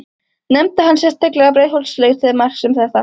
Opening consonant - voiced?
yes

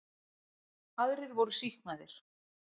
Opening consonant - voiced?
yes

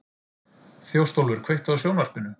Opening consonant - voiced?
no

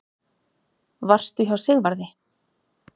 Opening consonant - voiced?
yes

